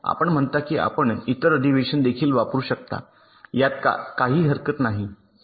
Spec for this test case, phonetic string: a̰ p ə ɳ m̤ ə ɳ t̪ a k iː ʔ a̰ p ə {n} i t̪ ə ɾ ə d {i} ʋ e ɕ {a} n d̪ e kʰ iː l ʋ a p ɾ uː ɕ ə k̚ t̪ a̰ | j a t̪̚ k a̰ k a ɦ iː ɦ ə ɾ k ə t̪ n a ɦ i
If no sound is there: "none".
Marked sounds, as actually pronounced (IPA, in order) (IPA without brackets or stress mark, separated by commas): ɳ, i, ə